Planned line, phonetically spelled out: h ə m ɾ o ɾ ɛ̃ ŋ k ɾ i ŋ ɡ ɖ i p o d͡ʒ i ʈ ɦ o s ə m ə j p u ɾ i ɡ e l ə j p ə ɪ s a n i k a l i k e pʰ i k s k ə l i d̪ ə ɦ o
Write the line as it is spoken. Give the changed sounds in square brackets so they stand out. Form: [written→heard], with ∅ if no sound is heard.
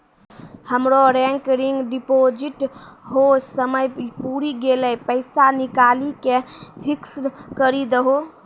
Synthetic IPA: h ə m ɾ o ɾ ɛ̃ ŋ k ɾ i ŋ ɡ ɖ i p o d͡ʒ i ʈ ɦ o s ə m ə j p u ɾ i ɡ e l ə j p ə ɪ s a n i k a l i k e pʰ i k s k ə [l→ɾ] i d̪ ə ɦ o

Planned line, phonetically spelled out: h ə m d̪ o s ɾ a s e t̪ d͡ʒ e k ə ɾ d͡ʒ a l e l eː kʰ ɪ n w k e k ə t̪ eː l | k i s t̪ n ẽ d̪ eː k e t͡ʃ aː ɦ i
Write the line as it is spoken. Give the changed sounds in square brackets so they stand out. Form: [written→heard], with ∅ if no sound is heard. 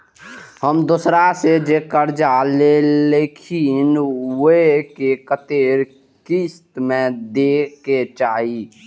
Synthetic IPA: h ə m d̪ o s ɾ a s e [t̪→∅] d͡ʒ e k ə ɾ d͡ʒ a l e l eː kʰ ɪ n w k e k ə t̪ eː [l→ɾ] | k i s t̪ [n→m] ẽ d̪ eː k e t͡ʃ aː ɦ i

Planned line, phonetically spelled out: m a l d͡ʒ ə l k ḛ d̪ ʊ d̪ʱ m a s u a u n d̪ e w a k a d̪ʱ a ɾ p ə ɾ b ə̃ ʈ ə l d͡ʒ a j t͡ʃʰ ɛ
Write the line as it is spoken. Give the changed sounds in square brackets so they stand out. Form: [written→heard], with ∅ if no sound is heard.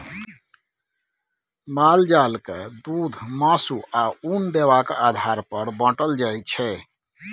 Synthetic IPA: m a l d͡ʒ [ə→a] l k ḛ d̪ [ʊ→u] d̪ʱ m a s u a u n d̪ e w a k a d̪ʱ a ɾ p ə ɾ b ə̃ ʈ ə l d͡ʒ a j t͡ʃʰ ɛ

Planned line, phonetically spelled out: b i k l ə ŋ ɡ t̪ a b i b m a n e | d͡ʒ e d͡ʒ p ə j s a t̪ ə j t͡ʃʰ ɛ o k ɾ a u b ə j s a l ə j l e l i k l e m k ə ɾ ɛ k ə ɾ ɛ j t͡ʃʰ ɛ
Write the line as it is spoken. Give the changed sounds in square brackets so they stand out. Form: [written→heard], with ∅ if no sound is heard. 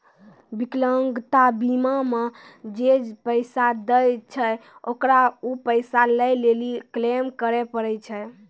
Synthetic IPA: b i k l ə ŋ ɡ t̪ a b i [b→∅] m a [n→m] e | d͡ʒ e d͡ʒ p ə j s a [t̪→d̪] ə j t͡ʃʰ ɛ o k ɾ a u [b→p] ə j s a l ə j l e l i k l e m k ə ɾ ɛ [k→p] ə ɾ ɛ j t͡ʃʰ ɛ

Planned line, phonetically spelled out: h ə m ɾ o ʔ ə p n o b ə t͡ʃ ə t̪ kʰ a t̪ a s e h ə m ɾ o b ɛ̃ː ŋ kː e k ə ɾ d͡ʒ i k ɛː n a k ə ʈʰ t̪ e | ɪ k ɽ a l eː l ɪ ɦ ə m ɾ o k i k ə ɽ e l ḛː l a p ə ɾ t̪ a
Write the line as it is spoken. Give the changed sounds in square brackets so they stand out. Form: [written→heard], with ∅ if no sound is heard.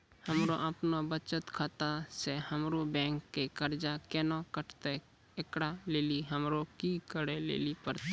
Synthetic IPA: h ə m ɾ o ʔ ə p n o b ə t͡ʃ ə t̪ kʰ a t̪ a s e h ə m ɾ o b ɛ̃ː ŋ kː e k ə ɾ d͡ʒ [i→a] k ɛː n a k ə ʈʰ t̪ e | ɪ k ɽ a l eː l [ɪ→i] ɦ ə m ɾ o k i k ə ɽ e l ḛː l [a→i] p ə ɾ t̪ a

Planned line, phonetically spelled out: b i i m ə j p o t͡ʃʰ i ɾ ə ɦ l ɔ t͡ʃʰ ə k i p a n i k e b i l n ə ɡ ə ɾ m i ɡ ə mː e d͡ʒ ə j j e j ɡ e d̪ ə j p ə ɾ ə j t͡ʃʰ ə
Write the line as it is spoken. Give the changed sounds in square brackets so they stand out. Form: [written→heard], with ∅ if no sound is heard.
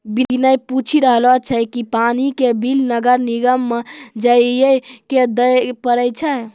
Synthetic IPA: b i i [m→n] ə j p [o→u] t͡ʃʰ i ɾ ə ɦ l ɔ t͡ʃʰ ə k i p a n i k e b i l n ə ɡ ə ɾ [m→n] i ɡ ə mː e d͡ʒ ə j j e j [ɡ→k] e d̪ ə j p ə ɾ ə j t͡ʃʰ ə

